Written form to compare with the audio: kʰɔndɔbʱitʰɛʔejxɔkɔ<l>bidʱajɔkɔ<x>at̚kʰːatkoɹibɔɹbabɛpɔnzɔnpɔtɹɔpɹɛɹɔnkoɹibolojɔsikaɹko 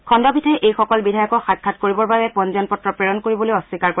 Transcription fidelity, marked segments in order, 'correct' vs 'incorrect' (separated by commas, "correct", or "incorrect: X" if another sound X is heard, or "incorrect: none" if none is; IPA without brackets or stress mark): correct, correct